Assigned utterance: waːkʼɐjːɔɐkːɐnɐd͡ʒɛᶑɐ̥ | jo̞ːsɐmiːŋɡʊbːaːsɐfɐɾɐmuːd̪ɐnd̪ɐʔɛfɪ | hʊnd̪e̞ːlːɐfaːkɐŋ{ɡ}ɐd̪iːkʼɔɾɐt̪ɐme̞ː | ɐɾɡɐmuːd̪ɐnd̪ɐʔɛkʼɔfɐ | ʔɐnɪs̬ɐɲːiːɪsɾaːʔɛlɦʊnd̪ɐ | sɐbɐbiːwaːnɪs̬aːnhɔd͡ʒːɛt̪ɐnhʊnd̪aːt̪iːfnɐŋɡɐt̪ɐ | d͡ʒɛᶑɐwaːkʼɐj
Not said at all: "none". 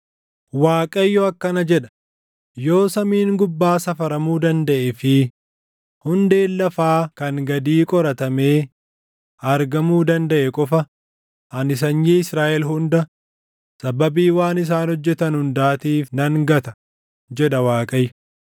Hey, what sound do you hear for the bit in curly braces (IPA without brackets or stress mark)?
ɡ